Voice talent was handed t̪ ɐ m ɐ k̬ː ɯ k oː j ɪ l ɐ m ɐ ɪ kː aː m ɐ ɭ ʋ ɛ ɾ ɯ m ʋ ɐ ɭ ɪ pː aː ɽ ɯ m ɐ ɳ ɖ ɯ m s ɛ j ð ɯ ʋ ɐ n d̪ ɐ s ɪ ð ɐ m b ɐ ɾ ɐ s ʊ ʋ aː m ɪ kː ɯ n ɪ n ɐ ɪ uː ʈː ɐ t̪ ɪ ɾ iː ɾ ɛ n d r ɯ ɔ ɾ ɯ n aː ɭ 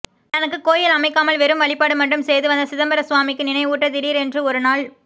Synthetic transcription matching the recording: t̪ ɐ n ɐ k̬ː ɯ k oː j ɪ l ɐ m ɐ ɪ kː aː m ɐ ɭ ʋ ɛ ɾ ɯ m ʋ ɐ ɭ ɪ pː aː ɽ ɯ m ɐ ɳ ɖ ɯ m s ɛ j ð ɯ ʋ ɐ n d̪ ɐ s ɪ ð ɐ m b ɐ ɾ ɐ s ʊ ʋ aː m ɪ kː ɯ n ɪ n ɐ ɪ uː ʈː ɐ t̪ ɪ ɾ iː ɾ ɛ n d r ɯ ɔ ɾ ɯ n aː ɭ

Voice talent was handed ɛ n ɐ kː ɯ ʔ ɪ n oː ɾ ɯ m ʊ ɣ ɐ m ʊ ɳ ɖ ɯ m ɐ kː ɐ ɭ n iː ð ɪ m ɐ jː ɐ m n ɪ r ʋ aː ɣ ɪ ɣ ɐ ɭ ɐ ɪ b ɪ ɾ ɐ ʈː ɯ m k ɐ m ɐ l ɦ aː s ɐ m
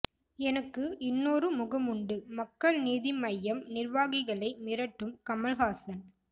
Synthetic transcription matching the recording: ɛ n ɐ kː ɯ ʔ ɪ nː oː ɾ ɯ m ʊ ɣ ɐ m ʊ ɳ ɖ ɯ m ɐ kː ɐ ɭ n iː ð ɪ m ɐ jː ɐ m n ɪ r ʋ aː ɣ ɪ ɣ ɐ ɭ ɐ ɪ m ɪ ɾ ɐ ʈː ɯ m k ɐ m ɐ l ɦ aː s ɐ n

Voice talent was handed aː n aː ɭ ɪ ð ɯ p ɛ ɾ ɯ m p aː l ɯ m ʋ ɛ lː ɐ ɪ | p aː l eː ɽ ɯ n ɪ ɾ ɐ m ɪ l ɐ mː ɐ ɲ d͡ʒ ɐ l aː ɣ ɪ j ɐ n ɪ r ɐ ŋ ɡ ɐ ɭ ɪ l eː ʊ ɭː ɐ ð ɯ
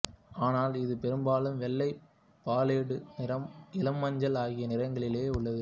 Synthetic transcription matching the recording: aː n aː l ɪ ð ɯ p ɛ ɾ ɯ m b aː l ɯ m ʋ ɛ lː ɐ ɪ | p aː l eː ɽ ɯ n ɪ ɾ ɐ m ɪ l ɐ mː ɐ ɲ d͡ʒ ɐ l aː ɣ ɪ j ɐ n ɪ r ɐ ŋ ɡ ɐ ɭ ɪ l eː ʊ ɭː ɐ ð ɯ

